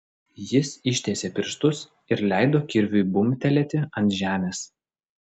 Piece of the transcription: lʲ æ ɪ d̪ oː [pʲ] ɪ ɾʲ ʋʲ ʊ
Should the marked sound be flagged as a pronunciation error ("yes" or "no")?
yes